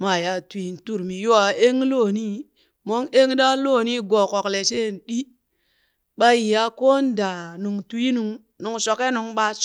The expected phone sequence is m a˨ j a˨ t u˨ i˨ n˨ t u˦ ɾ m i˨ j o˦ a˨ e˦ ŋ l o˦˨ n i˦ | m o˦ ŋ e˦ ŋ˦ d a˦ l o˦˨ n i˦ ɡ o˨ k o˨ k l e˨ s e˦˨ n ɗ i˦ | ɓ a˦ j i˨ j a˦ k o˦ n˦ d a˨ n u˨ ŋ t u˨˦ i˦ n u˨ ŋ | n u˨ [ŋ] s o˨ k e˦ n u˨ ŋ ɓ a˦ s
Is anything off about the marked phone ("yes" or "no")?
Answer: no